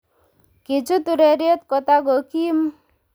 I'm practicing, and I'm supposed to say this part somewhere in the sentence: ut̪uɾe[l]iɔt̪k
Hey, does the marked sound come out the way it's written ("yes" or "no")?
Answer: no